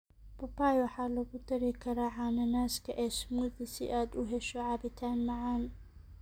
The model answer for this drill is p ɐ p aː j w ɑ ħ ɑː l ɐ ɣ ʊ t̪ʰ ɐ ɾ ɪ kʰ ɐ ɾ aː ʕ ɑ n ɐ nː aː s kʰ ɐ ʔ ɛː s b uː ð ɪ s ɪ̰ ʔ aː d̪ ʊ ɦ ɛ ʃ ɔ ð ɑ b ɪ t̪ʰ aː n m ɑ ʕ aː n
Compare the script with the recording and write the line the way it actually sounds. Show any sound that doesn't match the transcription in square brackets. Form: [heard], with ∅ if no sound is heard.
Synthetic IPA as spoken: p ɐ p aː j w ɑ ħ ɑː l ɐ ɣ ʊ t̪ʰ ɐ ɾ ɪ kʰ ɐ ɾ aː ʕ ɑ n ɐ [n] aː s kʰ ɐ ʔ ɛː s [m] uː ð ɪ s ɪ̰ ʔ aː d̪ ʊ ɦ ɛ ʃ ɔ [ʕ] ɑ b ɪ t̪ʰ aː n m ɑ ʕ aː n